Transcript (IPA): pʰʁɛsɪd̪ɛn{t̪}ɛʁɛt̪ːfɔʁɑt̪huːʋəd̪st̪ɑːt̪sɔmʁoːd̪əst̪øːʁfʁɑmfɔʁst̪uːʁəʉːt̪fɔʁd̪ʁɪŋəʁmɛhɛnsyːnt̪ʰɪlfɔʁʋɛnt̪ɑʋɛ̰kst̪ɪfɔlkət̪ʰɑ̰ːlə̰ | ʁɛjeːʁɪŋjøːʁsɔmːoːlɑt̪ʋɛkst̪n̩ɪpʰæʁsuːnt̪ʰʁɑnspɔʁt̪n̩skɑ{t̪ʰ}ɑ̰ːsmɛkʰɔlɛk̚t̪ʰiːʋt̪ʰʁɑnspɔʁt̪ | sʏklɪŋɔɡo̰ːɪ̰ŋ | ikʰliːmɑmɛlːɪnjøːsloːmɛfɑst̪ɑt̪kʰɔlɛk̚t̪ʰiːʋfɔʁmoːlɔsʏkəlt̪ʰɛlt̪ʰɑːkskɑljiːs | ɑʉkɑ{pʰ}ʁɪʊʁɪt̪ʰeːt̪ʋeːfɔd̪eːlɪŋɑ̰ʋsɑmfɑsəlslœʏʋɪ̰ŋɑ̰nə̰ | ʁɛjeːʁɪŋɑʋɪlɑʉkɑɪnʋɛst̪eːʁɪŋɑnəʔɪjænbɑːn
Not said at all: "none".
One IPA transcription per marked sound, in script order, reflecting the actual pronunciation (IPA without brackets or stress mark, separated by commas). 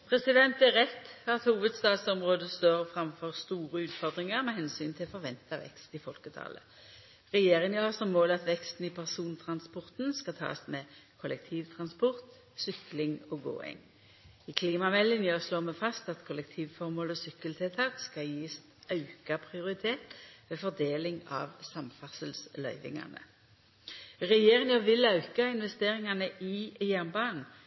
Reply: t̪, t̪ʰ, pʰ